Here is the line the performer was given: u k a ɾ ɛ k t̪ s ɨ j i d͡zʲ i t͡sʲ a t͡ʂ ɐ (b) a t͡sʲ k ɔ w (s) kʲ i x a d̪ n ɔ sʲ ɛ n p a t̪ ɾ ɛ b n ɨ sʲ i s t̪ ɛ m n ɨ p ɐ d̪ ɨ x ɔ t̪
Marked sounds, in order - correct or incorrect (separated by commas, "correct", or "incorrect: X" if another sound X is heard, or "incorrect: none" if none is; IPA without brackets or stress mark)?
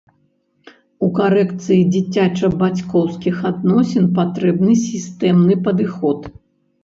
correct, correct